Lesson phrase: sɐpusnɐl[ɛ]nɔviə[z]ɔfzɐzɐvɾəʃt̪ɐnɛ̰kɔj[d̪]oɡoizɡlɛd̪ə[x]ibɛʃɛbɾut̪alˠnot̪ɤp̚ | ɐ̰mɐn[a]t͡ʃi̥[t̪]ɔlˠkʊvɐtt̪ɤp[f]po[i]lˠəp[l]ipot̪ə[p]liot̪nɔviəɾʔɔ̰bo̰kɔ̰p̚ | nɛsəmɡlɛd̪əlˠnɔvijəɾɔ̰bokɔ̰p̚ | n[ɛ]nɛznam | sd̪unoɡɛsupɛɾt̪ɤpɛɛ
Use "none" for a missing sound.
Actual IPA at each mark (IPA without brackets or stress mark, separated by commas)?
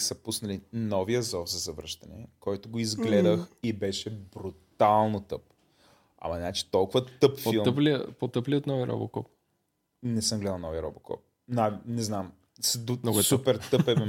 i, z, t̪, x, a, t̪, f, i, l, p, a